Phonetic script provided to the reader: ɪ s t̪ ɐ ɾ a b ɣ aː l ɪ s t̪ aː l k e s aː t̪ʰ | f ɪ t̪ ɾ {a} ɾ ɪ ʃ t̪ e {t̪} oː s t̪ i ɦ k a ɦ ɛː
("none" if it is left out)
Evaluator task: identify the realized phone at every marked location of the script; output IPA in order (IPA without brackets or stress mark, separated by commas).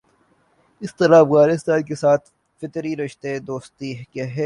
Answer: i, d̪